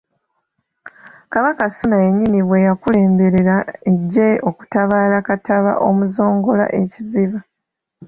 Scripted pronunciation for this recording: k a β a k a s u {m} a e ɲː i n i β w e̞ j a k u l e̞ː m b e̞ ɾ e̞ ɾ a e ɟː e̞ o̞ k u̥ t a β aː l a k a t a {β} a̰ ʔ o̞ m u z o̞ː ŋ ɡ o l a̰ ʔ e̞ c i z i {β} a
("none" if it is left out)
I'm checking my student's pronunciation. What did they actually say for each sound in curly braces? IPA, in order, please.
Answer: n, β, β

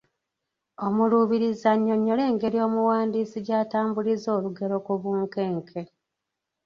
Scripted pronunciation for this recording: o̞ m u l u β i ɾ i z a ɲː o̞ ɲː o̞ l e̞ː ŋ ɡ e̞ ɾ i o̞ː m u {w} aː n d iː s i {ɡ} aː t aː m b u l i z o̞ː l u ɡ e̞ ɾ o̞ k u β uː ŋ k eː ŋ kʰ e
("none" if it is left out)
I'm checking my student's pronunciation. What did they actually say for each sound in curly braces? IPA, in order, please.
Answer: w, ɟ

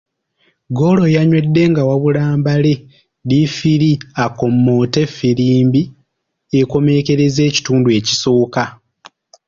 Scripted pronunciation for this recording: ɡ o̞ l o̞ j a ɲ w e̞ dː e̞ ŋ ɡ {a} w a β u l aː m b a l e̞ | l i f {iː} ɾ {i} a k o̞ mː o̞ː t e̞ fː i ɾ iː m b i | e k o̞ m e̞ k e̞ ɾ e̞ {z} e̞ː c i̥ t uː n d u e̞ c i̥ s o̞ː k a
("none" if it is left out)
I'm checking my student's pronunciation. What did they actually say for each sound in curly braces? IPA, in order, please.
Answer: a, i, i, z

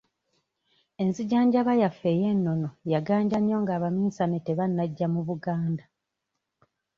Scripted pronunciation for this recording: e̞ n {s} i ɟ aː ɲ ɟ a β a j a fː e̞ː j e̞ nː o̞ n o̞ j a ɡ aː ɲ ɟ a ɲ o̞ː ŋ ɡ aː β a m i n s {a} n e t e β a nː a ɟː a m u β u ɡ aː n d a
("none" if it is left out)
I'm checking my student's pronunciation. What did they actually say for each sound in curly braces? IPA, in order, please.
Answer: z, a

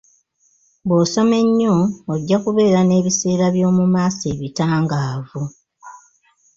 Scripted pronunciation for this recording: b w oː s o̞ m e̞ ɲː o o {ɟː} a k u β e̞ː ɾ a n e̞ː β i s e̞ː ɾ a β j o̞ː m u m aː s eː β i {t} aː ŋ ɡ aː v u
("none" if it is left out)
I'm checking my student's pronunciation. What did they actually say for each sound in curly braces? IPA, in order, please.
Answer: ɟː, t

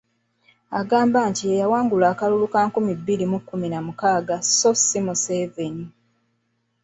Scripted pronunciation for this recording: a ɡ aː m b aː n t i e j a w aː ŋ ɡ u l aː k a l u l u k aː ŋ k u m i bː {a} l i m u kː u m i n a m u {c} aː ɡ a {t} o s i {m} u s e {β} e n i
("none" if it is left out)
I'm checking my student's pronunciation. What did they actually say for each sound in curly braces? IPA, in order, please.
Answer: i, k, s, m, v

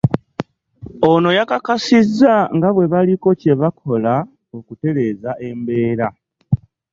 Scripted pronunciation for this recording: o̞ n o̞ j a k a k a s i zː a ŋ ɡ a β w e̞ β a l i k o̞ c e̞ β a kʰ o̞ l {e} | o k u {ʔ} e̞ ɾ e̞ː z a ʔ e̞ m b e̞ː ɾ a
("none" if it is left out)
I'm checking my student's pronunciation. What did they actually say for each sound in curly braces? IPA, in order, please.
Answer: a, t

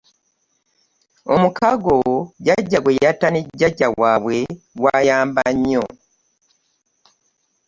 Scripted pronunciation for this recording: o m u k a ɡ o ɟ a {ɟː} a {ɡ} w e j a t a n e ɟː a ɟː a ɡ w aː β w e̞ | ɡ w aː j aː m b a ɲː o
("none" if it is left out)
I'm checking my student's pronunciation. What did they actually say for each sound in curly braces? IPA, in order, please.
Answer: ɟː, ɡ

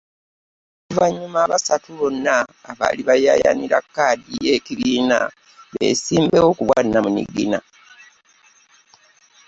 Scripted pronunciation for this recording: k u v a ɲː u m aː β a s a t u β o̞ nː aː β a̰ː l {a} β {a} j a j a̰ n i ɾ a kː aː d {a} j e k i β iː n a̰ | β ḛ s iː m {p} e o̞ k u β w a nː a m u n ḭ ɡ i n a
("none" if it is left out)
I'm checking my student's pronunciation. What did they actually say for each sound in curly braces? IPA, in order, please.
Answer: i, a, i, b

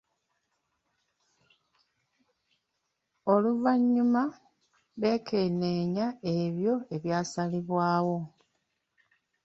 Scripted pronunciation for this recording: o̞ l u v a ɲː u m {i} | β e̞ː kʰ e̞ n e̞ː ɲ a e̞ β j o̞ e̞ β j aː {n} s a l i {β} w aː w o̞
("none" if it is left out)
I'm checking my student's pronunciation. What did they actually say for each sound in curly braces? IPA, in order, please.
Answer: a, none, β

